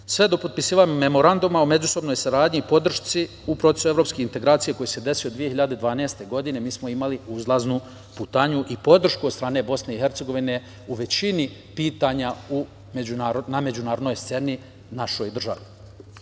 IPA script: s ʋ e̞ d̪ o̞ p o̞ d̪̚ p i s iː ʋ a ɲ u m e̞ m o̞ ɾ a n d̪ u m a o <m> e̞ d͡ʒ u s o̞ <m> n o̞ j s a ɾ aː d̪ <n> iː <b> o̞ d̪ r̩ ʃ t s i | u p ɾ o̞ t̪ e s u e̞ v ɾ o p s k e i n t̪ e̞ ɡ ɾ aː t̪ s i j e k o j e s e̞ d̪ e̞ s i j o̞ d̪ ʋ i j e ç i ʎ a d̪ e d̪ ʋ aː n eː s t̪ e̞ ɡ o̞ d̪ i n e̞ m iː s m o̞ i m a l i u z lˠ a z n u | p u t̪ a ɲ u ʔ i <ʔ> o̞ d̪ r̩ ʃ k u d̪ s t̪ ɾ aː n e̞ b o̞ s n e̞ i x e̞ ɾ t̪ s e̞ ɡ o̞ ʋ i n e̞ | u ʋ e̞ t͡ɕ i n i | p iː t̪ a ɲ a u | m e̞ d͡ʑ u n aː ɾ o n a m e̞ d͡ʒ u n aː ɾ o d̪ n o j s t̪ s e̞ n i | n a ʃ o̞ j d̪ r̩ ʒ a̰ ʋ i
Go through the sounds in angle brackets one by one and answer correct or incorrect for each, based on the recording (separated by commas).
correct, incorrect, incorrect, incorrect, incorrect